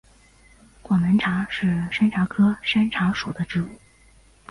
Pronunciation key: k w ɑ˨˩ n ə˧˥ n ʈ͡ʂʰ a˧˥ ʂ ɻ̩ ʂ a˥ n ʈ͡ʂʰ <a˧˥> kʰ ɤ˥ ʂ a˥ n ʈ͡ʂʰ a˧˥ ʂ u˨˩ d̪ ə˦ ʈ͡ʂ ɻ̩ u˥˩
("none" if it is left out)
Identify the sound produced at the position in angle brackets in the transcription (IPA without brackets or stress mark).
a˧˥